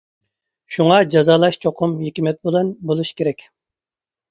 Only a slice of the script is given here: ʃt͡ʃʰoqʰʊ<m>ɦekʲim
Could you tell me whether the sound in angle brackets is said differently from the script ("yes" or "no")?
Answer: no